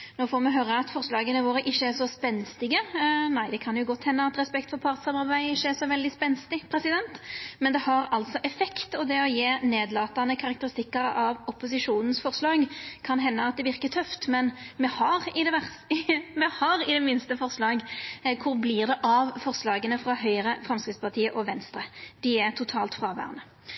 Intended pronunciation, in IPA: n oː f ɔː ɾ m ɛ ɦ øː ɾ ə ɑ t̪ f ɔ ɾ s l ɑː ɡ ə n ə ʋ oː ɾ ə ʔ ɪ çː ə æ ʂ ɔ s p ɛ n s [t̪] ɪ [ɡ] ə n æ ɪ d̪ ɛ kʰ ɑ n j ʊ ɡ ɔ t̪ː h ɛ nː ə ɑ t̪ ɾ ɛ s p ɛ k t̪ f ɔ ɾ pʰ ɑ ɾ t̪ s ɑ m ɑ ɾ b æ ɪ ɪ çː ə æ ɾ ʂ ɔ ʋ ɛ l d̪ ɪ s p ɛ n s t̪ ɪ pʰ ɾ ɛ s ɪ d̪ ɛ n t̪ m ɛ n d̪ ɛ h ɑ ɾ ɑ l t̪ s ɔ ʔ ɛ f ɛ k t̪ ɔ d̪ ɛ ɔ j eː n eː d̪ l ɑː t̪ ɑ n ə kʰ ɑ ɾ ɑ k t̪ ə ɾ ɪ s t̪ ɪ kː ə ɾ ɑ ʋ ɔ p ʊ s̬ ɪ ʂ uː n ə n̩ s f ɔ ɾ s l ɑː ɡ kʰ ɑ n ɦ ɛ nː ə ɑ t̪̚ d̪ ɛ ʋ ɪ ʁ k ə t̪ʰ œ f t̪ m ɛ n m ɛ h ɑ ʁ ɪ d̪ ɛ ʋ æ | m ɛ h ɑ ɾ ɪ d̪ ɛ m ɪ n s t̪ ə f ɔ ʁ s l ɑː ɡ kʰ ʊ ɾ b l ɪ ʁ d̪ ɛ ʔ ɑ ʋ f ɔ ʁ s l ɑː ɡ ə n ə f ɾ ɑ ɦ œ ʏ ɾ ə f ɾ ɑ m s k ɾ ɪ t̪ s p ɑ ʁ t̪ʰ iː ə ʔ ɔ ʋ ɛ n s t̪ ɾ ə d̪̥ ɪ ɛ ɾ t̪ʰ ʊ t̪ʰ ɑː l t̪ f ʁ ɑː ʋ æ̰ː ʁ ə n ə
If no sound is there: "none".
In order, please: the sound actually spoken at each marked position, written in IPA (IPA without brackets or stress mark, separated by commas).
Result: t̪, ɡ